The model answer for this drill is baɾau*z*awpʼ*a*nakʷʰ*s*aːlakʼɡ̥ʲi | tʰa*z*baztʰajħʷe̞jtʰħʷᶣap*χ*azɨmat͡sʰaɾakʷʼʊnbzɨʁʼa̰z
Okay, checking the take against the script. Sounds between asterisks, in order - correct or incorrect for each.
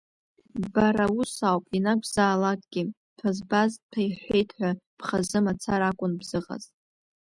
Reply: incorrect: s, incorrect: i, incorrect: z, correct, correct

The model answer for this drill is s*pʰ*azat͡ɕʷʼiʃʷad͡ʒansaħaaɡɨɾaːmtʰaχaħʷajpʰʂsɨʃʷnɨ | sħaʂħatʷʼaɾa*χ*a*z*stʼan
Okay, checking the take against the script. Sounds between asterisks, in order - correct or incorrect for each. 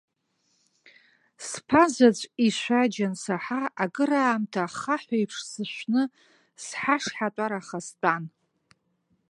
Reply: correct, correct, incorrect: none

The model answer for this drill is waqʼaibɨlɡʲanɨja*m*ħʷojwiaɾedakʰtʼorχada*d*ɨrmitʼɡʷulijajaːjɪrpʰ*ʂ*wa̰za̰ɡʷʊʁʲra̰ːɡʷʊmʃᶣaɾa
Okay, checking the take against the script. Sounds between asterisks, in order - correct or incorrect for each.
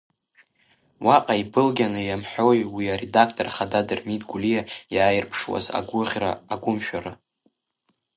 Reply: correct, correct, correct

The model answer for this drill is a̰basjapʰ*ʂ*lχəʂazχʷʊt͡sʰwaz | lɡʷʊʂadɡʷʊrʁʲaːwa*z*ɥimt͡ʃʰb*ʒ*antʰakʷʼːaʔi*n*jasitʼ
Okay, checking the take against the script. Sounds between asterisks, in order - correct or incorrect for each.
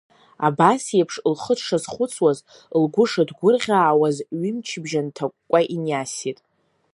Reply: correct, correct, correct, correct

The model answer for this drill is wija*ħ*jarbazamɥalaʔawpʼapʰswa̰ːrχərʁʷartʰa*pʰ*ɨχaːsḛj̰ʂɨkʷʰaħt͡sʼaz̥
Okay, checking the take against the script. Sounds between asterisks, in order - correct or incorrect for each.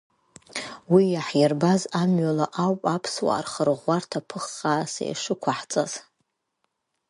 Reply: correct, correct

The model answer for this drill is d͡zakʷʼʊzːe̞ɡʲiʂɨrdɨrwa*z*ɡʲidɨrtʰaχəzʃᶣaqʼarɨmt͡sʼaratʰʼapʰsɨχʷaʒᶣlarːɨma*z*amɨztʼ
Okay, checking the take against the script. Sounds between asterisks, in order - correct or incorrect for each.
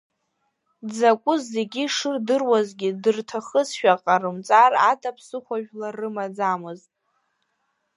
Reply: correct, incorrect: d͡z

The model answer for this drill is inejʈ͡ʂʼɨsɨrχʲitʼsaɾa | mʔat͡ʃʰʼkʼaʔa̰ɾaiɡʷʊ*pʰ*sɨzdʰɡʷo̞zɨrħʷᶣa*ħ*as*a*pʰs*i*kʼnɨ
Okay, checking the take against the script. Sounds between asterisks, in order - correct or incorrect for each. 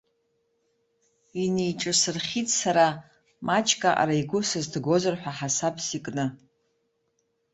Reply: incorrect: none, correct, correct, correct

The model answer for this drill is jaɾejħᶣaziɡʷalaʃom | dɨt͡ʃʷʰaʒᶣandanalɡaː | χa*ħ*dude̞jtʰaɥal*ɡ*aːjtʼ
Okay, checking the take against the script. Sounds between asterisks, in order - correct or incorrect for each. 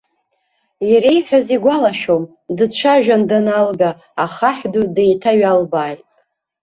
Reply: correct, incorrect: b

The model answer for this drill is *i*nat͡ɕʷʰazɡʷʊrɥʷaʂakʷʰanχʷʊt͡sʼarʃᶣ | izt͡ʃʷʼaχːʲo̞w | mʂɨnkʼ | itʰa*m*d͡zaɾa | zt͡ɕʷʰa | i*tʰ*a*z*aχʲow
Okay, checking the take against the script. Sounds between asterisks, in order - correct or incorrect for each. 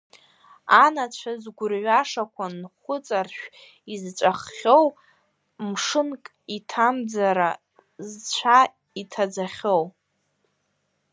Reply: incorrect: a, correct, correct, incorrect: d͡z

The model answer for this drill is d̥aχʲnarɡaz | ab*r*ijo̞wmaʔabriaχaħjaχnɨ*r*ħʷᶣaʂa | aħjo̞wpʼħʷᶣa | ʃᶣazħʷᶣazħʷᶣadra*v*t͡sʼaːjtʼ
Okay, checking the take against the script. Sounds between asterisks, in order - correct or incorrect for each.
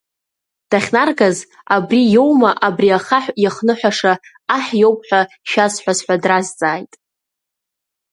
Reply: correct, incorrect: none, incorrect: z

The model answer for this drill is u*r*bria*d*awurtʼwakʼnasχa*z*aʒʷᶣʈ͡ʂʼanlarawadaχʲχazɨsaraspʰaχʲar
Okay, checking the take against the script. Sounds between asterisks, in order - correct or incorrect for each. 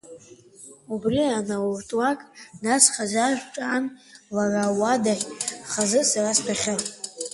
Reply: incorrect: none, incorrect: n, correct

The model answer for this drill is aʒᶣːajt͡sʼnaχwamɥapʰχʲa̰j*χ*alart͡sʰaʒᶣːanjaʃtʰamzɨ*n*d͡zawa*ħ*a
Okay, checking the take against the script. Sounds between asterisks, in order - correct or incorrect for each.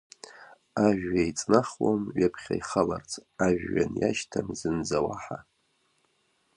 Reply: correct, correct, correct

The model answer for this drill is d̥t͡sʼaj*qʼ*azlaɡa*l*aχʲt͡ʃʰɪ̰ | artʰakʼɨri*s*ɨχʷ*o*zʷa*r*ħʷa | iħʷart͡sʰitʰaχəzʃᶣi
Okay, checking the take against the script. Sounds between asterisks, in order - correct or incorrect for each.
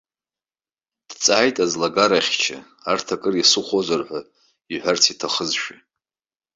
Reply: incorrect: tʼ, incorrect: ɾ, correct, correct, correct

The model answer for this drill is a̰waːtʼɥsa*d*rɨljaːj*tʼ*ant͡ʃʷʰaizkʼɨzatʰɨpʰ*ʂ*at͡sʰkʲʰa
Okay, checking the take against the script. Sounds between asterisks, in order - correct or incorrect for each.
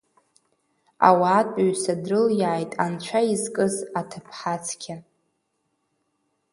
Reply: correct, correct, incorrect: ħ

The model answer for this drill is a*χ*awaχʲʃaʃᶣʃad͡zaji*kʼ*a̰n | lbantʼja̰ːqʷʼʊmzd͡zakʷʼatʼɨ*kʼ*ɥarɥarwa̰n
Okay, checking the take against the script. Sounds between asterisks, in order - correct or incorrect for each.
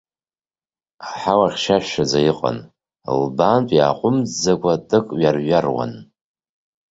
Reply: incorrect: ħ, incorrect: qʼ, correct

